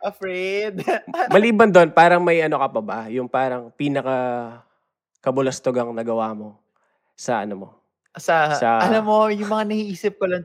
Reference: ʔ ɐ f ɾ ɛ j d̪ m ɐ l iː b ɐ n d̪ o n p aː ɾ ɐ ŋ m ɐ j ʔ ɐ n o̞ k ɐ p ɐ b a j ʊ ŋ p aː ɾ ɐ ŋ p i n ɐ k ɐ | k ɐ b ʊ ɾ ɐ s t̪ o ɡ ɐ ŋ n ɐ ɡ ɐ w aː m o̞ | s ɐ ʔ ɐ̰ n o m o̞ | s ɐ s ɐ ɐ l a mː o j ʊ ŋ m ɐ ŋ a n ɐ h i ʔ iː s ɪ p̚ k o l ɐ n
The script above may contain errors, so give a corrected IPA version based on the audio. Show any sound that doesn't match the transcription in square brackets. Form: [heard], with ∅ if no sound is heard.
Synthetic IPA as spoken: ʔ ɐ f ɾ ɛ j d̪ m ɐ l iː b ɐ n d̪ o n p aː ɾ ɐ ŋ m ɐ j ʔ ɐ n o̞ k ɐ p ɐ b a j ʊ ŋ p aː ɾ ɐ ŋ p i n ɐ k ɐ | k ɐ b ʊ [l] ɐ s t̪ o ɡ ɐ ŋ n ɐ ɡ ɐ w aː m o̞ | s ɐ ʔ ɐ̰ n o m o̞ | s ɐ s ɐ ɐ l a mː o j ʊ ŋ m ɐ ŋ a n ɐ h i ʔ iː s ɪ p̚ k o l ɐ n